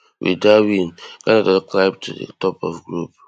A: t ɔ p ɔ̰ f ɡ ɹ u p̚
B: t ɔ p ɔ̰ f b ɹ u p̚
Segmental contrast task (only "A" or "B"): A